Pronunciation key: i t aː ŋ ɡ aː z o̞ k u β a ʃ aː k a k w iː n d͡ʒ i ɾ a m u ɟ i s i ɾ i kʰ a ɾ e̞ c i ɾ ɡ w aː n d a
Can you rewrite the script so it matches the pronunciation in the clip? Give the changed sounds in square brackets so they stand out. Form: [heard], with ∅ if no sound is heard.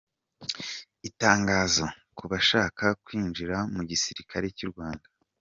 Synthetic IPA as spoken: i t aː ŋ ɡ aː z o̞ k u β a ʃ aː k a k w iː n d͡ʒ i ɾ a m u ɟ i s i ɾ i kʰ a ɾ e̞ c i ɾ ɡ w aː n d a